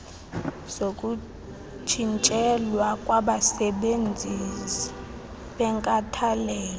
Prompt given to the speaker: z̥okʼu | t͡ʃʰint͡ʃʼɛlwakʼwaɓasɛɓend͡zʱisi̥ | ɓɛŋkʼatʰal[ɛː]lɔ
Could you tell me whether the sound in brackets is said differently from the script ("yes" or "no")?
no